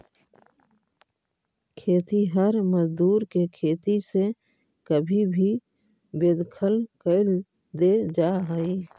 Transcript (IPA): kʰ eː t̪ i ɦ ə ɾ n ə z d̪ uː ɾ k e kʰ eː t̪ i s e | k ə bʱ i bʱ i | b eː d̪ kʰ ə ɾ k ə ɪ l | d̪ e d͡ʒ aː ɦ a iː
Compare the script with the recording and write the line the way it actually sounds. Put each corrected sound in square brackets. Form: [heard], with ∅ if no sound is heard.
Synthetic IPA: kʰ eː t̪ i ɦ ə ɾ [m] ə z d̪ uː ɾ k e kʰ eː t̪ i s e | k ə bʱ i bʱ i | b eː d̪ kʰ ə [l] k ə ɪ l | d̪ e d͡ʒ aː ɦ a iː

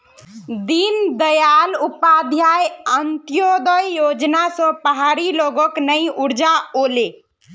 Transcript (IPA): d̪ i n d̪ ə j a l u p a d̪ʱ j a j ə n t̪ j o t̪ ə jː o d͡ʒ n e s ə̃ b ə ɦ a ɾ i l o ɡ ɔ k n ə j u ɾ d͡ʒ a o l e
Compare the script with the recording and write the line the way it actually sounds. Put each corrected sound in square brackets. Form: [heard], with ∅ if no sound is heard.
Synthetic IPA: d̪ i n d̪ ə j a l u p a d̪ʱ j a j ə n t̪ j o [d̪] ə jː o d͡ʒ n [a] s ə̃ [p] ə ɦ a ɾ i l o ɡ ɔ k n ə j u ɾ d͡ʒ a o l e

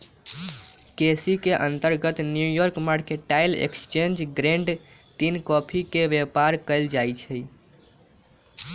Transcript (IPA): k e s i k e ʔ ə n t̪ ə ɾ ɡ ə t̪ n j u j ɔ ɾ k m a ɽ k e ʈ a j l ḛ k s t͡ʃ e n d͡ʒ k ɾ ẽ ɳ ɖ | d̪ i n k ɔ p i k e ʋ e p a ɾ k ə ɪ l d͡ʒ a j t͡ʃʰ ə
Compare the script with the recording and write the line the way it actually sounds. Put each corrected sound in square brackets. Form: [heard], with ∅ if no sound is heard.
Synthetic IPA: k e s i k e ʔ ə n t̪ ə ɾ ɡ ə t̪ n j u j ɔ ɾ k m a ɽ k e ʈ a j l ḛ k s t͡ʃ e n d͡ʒ [ɡ] ɾ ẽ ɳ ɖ | [t̪] i n k ɔ [pʰ] i k e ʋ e p a ɾ k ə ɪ l d͡ʒ a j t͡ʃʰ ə

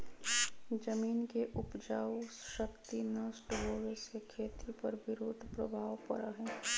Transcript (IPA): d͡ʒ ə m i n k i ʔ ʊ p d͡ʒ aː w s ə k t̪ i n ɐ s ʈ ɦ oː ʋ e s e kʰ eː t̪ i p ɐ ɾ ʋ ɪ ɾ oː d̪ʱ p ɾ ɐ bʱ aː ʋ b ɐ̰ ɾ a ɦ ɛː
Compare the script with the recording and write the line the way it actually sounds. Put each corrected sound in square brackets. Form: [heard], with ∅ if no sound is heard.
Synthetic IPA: d͡ʒ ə m [iː] n k [e] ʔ ʊ p d͡ʒ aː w [ʃ] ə k t̪ i n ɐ s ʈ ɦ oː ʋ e s e kʰ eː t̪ i p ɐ ɾ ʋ ɪ ɾ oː d̪ʱ p ɾ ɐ bʱ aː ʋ [p] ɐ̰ ɾ a ɦ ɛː

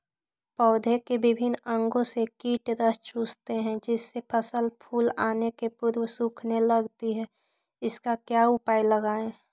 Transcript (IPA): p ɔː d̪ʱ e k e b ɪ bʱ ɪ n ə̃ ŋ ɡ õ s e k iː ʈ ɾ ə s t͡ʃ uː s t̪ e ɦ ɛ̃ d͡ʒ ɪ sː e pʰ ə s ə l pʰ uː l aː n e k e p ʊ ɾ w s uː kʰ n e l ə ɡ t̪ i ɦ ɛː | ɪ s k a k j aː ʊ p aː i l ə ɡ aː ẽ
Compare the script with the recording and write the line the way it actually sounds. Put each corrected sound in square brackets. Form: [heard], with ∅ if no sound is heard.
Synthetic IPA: p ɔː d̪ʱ e k e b ɪ bʱ ɪ n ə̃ ŋ ɡ õ s e k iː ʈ ɾ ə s t͡ʃ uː s t̪ e ɦ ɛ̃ d͡ʒ ɪ sː e pʰ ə s ə l pʰ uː l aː n e k e p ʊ ɾ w s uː kʰ n e l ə ɡ t̪ i ɦ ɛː | ɪ s k a k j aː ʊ p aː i l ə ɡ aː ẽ

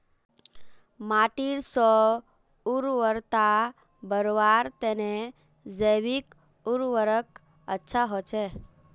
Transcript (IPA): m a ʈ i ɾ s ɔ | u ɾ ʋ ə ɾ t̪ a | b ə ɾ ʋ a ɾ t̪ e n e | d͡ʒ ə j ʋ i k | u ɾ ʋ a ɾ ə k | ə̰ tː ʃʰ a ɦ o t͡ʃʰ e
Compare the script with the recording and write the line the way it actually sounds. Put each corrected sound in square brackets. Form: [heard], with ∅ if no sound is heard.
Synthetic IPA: m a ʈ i ɾ s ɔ | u ɾ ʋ ə ɾ t̪ a | b ə ɾ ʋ a ɾ t̪ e n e | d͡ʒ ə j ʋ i k | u ɾ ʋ [ə] ɾ ə k | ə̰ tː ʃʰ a ɦ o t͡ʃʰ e

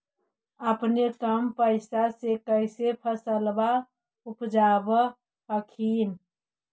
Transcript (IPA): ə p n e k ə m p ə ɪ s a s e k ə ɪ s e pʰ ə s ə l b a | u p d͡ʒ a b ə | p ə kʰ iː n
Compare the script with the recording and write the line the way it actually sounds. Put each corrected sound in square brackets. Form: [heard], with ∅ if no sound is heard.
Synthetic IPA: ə p n e k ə m p ə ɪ s a s e k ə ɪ s e pʰ ə s ə l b a | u p d͡ʒ a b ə | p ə kʰ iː n

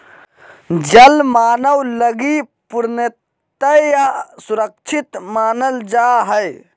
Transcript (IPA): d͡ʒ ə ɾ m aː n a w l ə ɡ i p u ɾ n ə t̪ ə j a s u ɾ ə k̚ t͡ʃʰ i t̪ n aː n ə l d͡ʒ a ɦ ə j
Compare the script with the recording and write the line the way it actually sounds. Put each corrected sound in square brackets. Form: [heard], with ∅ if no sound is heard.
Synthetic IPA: d͡ʒ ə [l] m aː n [ə] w l ə ɡ i p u ɾ n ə t̪ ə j a s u ɾ ə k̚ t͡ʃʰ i t̪ [m] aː n ə l d͡ʒ a ɦ ə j

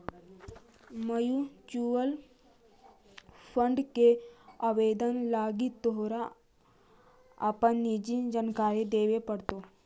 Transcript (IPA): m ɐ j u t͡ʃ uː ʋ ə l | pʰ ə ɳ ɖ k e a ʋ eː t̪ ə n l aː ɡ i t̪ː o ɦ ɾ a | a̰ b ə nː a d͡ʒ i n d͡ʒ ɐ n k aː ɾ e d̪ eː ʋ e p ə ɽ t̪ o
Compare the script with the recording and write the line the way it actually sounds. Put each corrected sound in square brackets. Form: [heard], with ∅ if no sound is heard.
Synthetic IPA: m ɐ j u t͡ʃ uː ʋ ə l | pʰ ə ɳ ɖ k e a ʋ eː [d̪] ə n l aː ɡ i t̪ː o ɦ ɾ a | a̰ [p] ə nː [i] d͡ʒ i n d͡ʒ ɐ n k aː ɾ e d̪ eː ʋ e p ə ɽ t̪ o

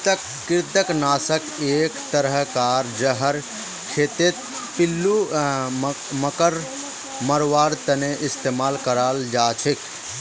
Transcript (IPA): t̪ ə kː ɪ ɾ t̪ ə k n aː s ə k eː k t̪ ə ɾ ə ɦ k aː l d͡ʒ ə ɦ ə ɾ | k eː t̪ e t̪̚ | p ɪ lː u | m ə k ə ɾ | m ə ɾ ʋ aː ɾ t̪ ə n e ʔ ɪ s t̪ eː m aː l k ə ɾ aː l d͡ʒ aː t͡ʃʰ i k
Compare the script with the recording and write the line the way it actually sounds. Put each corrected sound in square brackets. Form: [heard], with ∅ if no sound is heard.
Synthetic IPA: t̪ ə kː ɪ ɾ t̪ ə k n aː s ə k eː k t̪ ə ɾ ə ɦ k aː [ɾ] d͡ʒ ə ɦ ə ɾ | [kʰ] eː t̪ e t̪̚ | p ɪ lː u | m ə k ə ɾ | m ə ɾ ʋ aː ɾ t̪ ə n e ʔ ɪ s t̪ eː m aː l k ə ɾ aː l d͡ʒ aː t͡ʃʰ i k

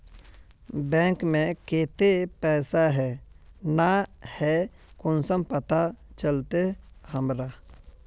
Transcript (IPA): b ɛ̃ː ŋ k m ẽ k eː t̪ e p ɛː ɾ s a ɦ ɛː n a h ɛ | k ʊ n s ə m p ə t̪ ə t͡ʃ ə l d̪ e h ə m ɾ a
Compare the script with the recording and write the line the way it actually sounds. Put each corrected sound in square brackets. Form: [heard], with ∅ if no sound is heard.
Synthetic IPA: b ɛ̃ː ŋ k m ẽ k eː t̪ e p ɛː [∅] s a ɦ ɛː n a h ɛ | k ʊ n s ə m p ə t̪ [a] t͡ʃ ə l [t̪] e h ə m ɾ a

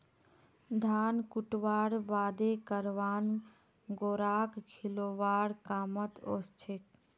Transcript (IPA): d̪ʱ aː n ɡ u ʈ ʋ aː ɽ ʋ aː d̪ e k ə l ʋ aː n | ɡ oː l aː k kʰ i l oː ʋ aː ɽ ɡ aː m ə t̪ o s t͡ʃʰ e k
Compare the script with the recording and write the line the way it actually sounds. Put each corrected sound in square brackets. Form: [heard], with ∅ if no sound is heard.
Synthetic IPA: d̪ʱ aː n [k] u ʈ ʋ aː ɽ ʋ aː d̪ e k ə [ɾ] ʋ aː n | ɡ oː [ɾ] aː k kʰ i l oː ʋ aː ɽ [k] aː m ə t̪ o s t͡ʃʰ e k

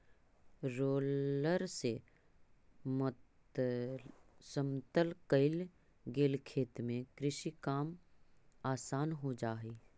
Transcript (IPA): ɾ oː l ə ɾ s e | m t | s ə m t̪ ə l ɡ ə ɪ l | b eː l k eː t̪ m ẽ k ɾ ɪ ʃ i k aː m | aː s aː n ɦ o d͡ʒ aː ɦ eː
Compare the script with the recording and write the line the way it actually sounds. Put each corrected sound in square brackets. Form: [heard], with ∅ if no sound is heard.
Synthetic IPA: ɾ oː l ə ɾ s e | m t | s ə m t̪ ə l [k] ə ɪ l | [ɡ] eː l [kʰ] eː t̪ m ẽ k ɾ ɪ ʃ i k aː m | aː s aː n ɦ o d͡ʒ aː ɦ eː

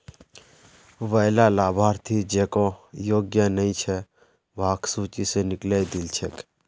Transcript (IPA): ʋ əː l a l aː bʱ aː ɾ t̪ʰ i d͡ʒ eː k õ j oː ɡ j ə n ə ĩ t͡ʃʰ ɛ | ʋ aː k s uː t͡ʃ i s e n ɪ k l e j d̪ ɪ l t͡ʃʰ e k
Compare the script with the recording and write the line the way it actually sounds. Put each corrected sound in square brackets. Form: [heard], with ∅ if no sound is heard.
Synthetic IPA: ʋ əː l a l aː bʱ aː ɾ t̪ʰ i d͡ʒ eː k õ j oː ɡ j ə n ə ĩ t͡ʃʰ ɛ | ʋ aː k s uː t͡ʃ i s e n ɪ k l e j d̪ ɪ l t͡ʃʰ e k

